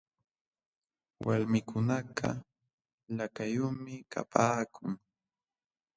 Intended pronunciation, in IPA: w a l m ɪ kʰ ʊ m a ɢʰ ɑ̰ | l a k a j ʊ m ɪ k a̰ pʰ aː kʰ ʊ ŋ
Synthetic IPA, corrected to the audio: w a l m ɪ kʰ ʊ n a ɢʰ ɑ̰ | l a k a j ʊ m ɪ k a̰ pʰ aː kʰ ʊ ŋ